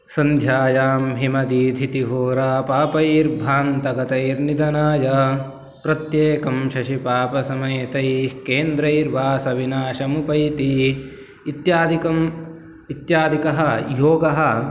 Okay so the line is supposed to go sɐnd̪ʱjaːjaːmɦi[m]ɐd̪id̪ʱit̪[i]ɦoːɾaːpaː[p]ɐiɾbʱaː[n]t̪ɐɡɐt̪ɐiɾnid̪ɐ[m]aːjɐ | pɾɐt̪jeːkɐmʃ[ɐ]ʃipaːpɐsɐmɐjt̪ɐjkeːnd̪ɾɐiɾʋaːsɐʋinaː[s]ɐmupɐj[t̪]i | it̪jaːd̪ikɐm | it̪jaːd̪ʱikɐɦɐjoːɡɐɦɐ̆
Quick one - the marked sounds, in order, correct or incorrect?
correct, correct, correct, correct, incorrect: n, correct, incorrect: ʃ, correct

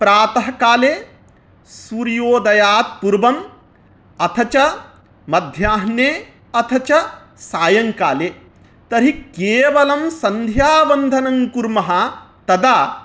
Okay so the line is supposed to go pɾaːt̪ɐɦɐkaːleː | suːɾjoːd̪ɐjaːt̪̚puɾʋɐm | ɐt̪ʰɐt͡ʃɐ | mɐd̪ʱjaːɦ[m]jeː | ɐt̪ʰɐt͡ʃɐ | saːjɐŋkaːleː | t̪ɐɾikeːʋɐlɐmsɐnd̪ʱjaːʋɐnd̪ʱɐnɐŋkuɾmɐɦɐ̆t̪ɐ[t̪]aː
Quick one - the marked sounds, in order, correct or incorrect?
incorrect: n, incorrect: d̪

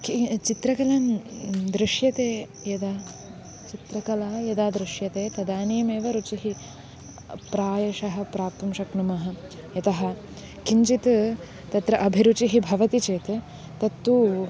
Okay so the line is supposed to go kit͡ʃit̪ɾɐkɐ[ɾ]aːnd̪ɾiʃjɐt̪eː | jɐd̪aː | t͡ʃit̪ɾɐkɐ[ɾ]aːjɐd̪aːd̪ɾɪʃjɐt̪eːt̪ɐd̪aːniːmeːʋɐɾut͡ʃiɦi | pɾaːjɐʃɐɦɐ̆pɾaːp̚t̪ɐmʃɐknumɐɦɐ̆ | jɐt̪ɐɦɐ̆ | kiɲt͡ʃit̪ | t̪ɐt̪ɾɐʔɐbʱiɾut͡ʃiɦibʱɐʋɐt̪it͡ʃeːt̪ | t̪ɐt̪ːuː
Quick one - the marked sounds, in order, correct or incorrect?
incorrect: l, incorrect: l

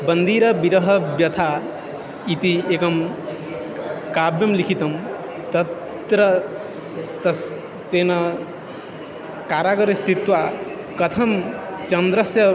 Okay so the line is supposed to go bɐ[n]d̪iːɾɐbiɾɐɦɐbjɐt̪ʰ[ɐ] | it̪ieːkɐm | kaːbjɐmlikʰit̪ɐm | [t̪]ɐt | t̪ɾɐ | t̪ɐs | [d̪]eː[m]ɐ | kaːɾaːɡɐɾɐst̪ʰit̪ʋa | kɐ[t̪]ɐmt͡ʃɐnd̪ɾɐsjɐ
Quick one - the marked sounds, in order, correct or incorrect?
correct, incorrect: a, correct, incorrect: t̪, incorrect: n, incorrect: t̪ʰ

